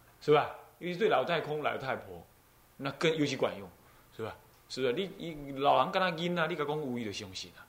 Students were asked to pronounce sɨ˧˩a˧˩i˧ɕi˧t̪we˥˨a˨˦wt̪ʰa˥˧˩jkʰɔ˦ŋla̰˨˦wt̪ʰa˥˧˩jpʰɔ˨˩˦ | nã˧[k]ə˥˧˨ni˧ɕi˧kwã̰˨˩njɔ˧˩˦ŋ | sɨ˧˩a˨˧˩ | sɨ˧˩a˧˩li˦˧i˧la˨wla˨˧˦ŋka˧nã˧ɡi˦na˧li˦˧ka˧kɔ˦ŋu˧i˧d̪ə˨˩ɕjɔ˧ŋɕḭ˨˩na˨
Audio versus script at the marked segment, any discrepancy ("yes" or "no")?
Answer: no